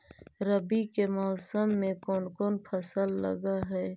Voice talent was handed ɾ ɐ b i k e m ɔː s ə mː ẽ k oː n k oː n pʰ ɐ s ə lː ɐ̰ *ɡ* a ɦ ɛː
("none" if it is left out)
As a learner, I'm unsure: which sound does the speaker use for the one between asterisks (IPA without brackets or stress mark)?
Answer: ɡ